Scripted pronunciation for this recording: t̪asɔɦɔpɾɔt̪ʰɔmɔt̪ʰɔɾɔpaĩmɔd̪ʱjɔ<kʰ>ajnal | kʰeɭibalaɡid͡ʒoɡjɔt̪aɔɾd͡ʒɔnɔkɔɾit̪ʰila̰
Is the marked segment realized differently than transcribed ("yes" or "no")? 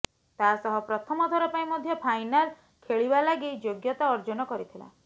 yes